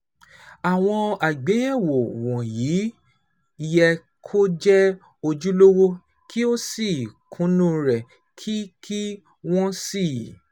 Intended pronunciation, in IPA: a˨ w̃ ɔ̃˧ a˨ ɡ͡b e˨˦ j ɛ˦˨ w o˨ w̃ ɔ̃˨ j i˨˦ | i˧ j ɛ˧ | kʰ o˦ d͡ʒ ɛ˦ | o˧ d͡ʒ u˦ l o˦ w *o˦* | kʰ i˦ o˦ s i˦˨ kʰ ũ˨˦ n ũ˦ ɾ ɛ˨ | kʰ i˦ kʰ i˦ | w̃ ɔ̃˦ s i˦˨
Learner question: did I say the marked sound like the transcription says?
yes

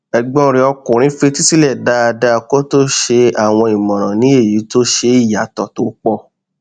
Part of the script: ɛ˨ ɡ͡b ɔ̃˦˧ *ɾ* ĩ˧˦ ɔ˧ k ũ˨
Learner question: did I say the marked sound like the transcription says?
yes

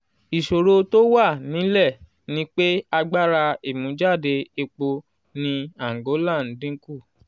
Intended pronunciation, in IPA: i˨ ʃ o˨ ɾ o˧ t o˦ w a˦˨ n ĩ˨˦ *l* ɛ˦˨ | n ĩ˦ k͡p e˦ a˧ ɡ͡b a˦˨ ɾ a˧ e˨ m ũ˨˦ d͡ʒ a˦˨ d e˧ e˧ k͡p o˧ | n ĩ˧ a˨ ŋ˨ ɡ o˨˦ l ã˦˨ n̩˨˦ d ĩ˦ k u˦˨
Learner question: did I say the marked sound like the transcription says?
yes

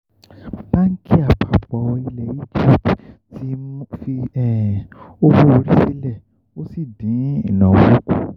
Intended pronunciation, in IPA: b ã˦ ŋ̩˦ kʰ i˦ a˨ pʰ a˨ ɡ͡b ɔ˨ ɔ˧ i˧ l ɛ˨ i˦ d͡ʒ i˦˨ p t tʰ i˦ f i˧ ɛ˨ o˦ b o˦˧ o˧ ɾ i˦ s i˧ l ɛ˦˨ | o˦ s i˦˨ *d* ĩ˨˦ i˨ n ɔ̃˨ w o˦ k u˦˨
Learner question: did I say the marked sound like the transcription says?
yes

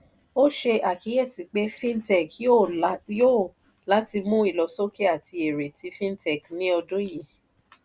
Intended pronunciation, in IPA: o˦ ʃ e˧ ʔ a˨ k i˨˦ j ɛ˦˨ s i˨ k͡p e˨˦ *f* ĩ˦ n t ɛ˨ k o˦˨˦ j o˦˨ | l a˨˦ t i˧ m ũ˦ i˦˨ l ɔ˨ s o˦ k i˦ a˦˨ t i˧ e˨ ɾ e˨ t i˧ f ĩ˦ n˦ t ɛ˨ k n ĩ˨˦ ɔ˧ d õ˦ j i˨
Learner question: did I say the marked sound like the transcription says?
yes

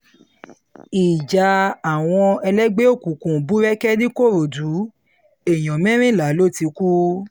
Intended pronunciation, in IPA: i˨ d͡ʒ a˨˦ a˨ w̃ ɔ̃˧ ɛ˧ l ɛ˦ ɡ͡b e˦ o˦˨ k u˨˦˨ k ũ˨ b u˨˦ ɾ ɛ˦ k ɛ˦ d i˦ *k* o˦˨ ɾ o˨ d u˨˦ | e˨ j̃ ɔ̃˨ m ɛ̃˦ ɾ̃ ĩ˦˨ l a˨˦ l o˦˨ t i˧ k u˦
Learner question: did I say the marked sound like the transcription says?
yes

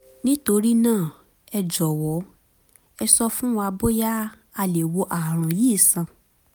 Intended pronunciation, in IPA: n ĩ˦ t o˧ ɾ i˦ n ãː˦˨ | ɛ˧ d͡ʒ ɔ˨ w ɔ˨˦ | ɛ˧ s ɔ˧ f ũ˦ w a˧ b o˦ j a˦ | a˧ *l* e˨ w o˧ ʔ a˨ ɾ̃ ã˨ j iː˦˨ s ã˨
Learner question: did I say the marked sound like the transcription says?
yes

